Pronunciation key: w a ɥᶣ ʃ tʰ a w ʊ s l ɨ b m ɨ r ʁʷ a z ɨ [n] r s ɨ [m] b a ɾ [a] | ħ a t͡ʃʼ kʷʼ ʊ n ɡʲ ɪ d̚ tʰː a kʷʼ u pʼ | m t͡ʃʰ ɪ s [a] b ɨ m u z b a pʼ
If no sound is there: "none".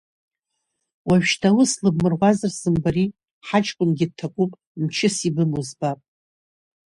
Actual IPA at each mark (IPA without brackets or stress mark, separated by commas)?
none, m, i, i